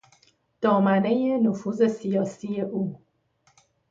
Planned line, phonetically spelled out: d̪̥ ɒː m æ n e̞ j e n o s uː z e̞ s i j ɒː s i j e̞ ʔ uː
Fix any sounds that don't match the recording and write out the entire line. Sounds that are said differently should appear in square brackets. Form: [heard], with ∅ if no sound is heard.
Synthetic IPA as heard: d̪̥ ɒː m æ n e̞ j e n o [f] uː z e̞ s i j ɒː s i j e̞ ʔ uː